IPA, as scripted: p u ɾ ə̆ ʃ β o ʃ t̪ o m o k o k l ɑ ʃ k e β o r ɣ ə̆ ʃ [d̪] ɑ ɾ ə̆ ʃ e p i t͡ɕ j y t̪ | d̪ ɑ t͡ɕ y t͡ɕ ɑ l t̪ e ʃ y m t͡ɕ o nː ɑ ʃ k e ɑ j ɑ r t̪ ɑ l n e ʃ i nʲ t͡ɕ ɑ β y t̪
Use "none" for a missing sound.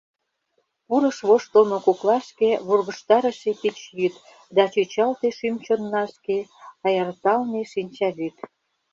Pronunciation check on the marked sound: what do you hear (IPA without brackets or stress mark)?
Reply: t̪